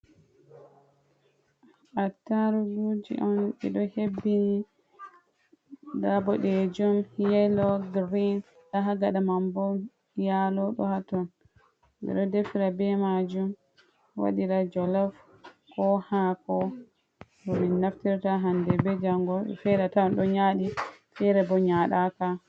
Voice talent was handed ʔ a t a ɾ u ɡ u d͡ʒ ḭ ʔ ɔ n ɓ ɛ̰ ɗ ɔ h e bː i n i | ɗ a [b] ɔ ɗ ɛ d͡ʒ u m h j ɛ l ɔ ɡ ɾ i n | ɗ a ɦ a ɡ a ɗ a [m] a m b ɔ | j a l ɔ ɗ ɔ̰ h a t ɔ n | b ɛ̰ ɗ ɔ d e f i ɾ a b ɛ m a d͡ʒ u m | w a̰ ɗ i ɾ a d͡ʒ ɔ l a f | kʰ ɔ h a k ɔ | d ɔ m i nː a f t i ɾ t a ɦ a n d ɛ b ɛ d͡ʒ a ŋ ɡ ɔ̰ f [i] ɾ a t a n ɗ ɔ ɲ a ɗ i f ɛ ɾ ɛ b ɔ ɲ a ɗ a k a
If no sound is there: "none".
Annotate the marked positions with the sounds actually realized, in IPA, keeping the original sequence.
b, m, ɛ

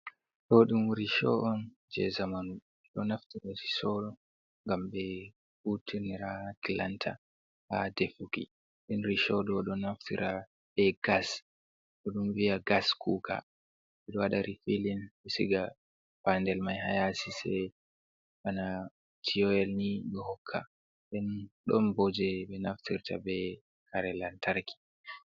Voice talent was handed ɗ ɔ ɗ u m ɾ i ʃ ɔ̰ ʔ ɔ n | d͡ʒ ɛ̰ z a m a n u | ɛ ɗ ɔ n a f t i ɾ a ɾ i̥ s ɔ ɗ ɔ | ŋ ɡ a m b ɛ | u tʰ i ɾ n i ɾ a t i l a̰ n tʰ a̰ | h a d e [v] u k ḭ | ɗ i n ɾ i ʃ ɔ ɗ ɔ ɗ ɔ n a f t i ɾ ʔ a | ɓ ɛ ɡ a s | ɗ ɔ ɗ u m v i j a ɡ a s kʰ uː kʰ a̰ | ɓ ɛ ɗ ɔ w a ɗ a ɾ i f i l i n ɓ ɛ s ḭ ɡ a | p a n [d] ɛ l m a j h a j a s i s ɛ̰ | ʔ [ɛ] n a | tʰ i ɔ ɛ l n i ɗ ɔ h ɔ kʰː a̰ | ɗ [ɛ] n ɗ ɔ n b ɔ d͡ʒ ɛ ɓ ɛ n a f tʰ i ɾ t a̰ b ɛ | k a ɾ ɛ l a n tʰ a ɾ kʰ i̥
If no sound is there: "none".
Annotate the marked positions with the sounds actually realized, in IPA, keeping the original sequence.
f, d, a, ɛ

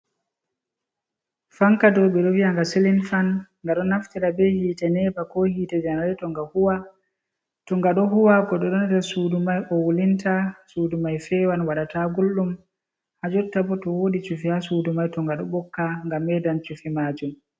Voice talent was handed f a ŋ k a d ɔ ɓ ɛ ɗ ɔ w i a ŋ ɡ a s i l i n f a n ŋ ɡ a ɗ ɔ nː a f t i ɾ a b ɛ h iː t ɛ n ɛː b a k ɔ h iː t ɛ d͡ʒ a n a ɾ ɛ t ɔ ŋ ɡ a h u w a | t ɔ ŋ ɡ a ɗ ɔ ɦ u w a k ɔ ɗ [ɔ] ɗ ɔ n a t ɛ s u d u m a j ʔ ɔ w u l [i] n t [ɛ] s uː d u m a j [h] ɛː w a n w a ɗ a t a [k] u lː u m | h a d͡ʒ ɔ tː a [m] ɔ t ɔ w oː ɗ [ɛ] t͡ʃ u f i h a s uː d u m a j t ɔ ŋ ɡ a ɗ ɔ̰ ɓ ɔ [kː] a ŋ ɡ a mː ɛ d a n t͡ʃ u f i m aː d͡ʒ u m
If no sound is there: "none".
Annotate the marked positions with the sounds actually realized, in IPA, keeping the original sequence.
ɔ, i, a, f, ɡ, b, i, kː

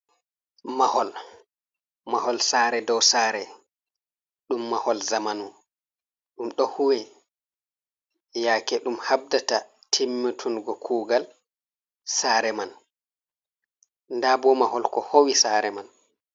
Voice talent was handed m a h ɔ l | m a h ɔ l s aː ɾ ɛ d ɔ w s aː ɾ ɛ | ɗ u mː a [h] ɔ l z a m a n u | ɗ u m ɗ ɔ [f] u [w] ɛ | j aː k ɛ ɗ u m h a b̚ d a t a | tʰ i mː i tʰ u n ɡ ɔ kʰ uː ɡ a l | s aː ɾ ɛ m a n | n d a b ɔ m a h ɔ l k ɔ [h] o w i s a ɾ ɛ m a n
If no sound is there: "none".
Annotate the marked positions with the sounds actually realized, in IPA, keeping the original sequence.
h, h, w, h

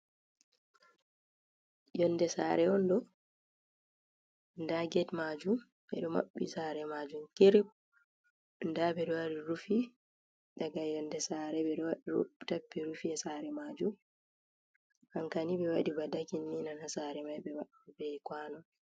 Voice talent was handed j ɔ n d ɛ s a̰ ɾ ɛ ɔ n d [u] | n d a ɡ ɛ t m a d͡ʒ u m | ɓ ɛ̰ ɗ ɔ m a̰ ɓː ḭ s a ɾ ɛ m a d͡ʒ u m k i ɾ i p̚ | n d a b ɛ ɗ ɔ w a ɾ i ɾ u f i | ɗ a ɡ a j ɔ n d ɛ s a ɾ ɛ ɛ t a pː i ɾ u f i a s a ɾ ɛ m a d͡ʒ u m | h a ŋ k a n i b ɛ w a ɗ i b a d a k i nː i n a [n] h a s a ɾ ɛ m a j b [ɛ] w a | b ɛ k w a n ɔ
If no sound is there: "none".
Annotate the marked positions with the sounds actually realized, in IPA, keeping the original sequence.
ɔ, n, ɛ

